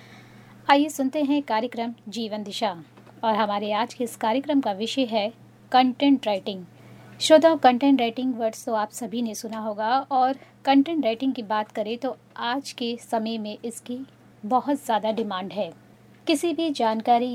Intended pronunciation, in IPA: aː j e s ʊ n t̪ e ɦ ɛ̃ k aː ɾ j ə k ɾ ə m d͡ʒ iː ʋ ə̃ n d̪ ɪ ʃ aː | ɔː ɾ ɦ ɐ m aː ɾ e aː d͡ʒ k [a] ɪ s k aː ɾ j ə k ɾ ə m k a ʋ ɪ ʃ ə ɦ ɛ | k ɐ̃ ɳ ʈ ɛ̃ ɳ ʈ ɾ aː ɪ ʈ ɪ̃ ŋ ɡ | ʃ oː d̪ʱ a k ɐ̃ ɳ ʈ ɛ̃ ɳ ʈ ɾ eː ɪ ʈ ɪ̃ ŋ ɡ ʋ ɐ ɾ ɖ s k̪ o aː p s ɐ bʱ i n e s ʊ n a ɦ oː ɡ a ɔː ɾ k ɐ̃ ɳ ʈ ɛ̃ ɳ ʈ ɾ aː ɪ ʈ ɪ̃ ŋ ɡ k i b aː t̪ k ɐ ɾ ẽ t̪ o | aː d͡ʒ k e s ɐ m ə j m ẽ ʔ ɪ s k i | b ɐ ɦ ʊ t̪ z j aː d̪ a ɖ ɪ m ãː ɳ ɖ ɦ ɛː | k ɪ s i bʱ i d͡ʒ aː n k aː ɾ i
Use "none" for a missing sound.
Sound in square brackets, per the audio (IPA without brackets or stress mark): e